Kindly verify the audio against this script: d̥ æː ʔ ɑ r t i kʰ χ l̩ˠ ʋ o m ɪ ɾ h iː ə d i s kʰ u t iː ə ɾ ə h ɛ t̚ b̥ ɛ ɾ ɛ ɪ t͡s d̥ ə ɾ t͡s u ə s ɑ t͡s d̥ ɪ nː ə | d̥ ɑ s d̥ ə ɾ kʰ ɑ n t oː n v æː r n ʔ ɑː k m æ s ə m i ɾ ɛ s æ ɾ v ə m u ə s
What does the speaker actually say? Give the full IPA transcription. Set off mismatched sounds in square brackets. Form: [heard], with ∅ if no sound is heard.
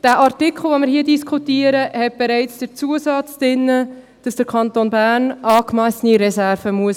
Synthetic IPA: d̥ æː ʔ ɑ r t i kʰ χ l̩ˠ ʋ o m ɪ ɾ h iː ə d i s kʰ u t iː ə ɾ ə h ɛ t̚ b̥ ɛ ɾ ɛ ɪ t͡s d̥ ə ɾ t͡s u ə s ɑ t͡s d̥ ɪ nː ə | d̥ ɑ s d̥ ə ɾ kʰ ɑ n t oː n [b] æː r n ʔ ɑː k m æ s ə [n] i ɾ ɛ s æ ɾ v ə m u ə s